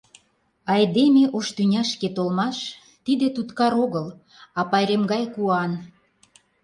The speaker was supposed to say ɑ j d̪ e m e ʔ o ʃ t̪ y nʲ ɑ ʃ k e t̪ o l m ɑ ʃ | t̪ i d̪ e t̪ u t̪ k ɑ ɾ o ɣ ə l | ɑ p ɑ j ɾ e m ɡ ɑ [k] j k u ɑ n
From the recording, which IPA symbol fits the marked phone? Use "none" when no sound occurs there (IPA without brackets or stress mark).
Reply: none